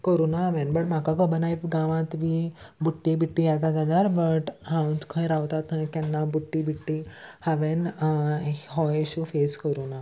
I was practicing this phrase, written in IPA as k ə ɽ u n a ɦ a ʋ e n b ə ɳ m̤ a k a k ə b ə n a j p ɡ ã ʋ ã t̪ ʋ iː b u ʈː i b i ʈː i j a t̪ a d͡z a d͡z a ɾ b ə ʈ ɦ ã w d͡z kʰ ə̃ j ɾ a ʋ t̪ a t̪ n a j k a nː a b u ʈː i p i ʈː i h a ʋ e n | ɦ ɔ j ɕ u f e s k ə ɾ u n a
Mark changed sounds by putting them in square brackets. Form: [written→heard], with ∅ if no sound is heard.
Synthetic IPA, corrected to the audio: k ə [ɽ→ɾ] u n a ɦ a ʋ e n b ə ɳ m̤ a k a k ə b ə n a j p ɡ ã ʋ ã t̪ ʋ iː b u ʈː i b i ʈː i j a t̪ a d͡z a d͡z a ɾ b ə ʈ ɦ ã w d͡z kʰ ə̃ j ɾ a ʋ t̪ a t̪ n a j k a nː a b u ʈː i [p→b] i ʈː i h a ʋ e n | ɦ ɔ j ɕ u f e s k ə ɾ u n a